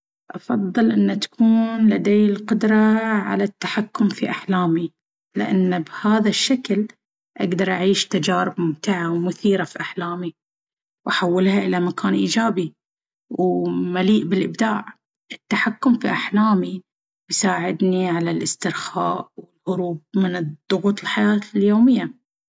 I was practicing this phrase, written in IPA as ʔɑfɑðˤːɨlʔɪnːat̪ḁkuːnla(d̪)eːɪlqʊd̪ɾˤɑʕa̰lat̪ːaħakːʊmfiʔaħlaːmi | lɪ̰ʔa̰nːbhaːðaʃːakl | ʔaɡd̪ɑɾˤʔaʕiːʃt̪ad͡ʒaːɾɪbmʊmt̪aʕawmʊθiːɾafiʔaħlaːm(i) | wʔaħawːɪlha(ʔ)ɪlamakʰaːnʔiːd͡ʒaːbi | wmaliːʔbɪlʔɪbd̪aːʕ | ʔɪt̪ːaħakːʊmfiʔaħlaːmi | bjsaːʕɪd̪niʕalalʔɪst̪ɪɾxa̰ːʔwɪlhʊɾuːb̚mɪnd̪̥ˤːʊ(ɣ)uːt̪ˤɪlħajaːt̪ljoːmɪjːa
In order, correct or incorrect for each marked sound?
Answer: correct, correct, correct, correct

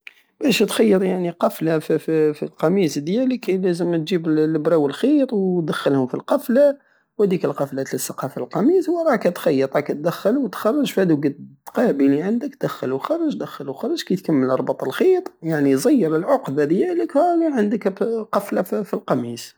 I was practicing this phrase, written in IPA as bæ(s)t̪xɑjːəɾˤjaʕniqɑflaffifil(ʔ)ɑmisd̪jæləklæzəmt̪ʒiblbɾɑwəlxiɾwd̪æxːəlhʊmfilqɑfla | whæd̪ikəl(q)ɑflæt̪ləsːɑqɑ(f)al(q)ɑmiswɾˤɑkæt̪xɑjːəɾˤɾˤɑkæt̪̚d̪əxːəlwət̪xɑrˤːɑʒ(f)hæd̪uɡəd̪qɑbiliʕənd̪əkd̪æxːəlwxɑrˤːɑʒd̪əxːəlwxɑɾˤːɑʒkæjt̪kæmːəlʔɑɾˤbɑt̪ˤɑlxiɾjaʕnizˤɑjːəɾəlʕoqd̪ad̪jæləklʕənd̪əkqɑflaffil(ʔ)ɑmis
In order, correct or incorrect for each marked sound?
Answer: incorrect, incorrect, correct, correct, correct, correct, incorrect

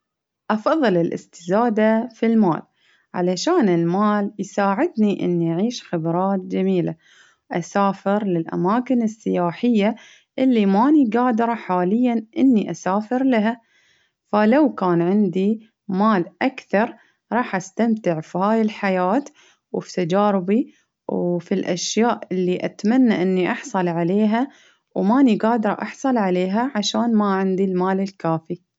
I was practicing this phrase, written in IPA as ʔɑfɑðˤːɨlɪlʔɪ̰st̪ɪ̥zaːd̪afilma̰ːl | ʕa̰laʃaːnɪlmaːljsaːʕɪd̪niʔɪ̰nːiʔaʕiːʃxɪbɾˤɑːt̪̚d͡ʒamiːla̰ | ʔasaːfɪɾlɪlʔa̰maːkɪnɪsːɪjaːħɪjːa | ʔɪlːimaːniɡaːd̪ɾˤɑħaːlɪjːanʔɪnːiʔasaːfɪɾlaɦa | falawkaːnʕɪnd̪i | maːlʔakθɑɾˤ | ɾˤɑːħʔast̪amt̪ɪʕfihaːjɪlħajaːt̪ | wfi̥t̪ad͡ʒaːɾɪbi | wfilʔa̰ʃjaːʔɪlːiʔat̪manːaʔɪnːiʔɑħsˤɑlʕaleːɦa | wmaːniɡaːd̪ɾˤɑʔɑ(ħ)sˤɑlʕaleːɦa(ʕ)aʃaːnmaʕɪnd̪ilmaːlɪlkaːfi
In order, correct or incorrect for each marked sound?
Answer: correct, correct

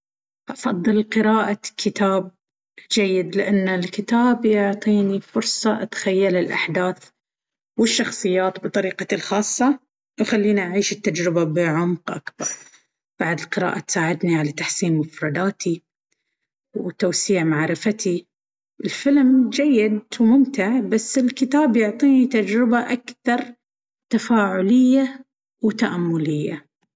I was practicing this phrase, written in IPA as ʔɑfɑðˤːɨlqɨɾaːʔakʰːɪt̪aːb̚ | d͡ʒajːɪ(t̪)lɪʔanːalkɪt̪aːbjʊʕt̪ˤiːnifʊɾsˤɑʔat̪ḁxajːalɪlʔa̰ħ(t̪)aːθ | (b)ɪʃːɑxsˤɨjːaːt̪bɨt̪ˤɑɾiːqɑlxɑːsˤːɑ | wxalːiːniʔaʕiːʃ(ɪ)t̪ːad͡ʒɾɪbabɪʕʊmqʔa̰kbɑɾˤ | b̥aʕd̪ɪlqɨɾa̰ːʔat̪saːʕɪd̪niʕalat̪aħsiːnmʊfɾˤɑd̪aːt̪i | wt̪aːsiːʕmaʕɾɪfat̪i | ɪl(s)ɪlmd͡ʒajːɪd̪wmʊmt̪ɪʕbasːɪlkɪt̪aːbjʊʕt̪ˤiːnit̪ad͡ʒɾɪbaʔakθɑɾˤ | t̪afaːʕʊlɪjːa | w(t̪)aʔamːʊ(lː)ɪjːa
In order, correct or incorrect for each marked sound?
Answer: incorrect, incorrect, incorrect, correct, incorrect, correct, incorrect

